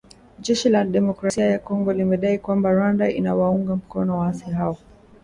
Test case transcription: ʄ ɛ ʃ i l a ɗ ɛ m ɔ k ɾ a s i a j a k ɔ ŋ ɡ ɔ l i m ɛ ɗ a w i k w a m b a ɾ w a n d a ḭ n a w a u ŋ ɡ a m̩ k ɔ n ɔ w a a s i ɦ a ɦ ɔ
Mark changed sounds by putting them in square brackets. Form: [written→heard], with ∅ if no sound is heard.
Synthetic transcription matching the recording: ʄ ɛ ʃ i l a ɗ ɛ m ɔ k ɾ a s i a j a k ɔ ŋ ɡ ɔ l i m ɛ ɗ a [w→∅] i k w a m b a ɾ w a n d a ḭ n a w a u ŋ ɡ a m̩ k ɔ n ɔ w a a s i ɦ a [ɦ→∅] ɔ